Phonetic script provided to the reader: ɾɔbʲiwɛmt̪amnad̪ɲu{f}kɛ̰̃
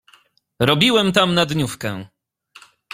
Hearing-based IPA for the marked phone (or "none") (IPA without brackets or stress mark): f